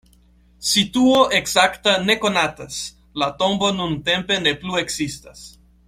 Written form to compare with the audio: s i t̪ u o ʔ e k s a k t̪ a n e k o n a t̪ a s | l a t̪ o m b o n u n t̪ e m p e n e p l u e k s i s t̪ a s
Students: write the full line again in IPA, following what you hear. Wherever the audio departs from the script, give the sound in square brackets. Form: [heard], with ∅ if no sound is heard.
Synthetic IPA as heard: s i t̪ u o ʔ e k s a k t̪ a n e k o n a t̪ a s | l a t̪ o m b o n u n t̪ e m p e n e p l u e k s i s t̪ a s